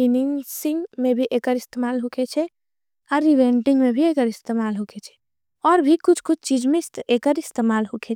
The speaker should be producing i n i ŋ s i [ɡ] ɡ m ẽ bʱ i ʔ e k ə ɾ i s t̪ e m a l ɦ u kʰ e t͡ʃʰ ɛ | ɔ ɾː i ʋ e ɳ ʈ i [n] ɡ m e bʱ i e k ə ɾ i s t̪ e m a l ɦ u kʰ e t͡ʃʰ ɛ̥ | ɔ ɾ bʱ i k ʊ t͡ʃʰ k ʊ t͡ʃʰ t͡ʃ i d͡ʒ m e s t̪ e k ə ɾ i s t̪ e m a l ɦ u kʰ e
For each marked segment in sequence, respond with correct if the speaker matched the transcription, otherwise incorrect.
incorrect: ŋ, incorrect: ŋ

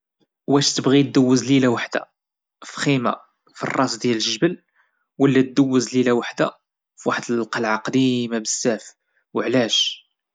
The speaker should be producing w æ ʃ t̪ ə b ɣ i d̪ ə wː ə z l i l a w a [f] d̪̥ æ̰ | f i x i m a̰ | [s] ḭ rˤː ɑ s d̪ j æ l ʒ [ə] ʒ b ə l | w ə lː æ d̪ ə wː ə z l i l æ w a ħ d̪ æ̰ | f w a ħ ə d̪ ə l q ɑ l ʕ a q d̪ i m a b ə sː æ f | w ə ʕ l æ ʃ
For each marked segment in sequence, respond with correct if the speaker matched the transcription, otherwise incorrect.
incorrect: ħ, incorrect: f, correct

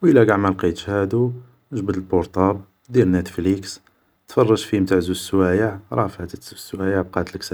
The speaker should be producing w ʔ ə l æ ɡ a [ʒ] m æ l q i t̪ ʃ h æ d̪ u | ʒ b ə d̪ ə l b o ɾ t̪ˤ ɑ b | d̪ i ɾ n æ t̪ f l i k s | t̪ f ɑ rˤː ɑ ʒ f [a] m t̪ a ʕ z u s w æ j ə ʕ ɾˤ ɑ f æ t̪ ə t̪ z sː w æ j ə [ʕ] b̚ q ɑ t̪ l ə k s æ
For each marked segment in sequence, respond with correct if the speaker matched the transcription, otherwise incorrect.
incorrect: ʕ, incorrect: i, correct

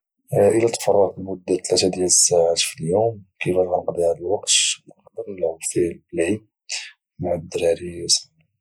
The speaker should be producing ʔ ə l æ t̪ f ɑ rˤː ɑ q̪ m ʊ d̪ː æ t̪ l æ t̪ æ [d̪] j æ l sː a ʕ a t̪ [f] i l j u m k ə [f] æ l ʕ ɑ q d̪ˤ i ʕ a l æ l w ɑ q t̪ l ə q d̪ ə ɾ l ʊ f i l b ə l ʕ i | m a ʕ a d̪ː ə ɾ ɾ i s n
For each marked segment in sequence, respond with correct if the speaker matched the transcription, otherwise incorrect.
correct, correct, correct

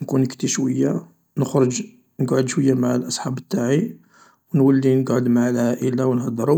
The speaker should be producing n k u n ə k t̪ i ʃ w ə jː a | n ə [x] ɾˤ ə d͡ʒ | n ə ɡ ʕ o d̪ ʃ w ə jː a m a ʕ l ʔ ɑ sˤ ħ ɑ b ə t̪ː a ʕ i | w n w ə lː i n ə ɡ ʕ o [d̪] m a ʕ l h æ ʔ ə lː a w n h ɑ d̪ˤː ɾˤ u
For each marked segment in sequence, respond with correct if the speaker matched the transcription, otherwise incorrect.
correct, correct

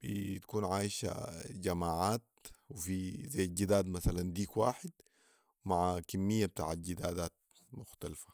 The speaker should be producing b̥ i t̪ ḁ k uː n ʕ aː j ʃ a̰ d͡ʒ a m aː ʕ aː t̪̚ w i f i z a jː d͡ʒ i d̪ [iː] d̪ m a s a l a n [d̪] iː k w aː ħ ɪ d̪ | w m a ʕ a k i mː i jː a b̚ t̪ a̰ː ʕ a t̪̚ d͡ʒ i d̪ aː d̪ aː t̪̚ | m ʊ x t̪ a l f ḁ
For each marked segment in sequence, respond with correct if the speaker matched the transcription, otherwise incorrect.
incorrect: aː, correct

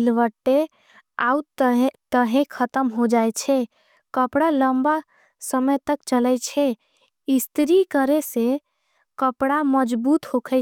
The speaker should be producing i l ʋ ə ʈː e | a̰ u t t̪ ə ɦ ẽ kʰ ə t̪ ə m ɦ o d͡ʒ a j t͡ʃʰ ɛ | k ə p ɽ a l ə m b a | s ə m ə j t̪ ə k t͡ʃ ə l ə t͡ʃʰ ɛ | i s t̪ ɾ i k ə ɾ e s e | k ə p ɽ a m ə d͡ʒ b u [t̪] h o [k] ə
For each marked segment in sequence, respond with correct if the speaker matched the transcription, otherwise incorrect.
correct, incorrect: kʰ

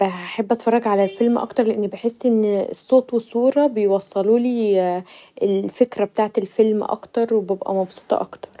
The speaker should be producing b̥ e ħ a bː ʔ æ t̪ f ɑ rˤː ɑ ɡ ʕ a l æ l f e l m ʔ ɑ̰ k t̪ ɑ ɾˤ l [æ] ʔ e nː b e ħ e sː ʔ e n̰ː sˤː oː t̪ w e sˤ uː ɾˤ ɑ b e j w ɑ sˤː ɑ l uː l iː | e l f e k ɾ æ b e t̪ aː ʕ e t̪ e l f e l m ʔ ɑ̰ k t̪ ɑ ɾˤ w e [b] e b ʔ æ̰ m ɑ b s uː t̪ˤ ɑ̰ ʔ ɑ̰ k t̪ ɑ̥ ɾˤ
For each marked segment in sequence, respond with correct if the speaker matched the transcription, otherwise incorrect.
incorrect: e, correct

